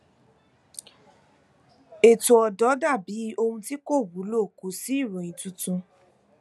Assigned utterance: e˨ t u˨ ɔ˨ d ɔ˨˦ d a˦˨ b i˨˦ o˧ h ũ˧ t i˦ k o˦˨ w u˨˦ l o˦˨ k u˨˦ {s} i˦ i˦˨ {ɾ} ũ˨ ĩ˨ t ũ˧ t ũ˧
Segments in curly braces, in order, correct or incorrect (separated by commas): correct, correct